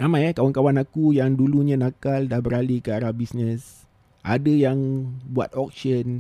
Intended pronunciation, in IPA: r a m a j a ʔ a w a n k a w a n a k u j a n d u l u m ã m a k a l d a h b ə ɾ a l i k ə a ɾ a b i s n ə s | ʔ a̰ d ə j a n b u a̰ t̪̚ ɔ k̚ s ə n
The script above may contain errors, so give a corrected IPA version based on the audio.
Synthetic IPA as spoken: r a m a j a k a w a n k a w a n a k u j a ŋ d u l u ɲ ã n a k a l d a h b ə ɾ a l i k ə a ɾ a b i s n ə s | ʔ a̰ d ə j a ŋ b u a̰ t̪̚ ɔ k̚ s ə n